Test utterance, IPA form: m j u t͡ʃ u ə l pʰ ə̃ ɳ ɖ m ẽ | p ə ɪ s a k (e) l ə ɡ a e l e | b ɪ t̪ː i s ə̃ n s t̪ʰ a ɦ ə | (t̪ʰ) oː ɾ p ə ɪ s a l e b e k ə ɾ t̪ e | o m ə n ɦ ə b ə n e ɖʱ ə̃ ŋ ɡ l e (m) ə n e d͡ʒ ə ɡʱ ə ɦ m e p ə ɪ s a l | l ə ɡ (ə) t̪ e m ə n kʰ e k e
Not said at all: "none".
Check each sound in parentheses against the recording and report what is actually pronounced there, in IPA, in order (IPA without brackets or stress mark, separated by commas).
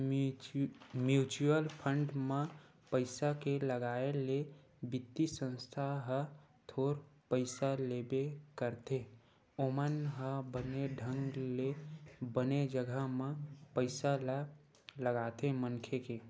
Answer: e, t̪ʰ, b, a